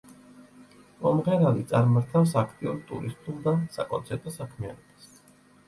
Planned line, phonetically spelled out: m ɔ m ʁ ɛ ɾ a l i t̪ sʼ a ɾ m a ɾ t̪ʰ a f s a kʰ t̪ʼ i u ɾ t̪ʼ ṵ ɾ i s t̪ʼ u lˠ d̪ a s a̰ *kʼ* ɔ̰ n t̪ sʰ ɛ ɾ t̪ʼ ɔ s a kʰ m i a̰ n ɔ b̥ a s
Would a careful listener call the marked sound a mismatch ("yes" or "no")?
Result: no